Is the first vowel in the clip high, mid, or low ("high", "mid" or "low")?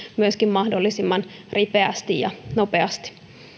high